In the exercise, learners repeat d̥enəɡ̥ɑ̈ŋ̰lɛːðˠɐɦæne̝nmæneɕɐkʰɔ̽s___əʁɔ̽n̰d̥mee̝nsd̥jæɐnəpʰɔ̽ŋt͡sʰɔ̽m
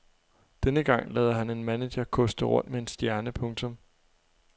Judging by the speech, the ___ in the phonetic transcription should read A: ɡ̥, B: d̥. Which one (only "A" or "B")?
B